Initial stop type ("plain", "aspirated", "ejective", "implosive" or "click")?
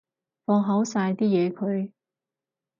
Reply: plain